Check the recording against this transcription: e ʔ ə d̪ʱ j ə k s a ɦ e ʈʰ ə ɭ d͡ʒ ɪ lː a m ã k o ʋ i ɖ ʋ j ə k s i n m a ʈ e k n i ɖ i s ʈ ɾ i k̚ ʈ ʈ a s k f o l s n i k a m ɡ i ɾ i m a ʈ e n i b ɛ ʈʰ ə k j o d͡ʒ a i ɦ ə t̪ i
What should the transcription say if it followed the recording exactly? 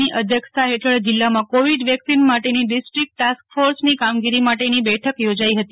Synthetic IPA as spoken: i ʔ ə d̪ʱ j ə k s a ɦ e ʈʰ ə ɭ d͡ʒ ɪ lː a m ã k o ʋ i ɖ ʋ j ə k s i n m a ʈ e n i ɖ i s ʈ ɾ i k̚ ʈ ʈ a s k f o ɾ s n i k a m ɡ i ɾ i m a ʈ e n i b ɛ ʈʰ ə k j o d͡ʒ a i ɦ ə t̪ i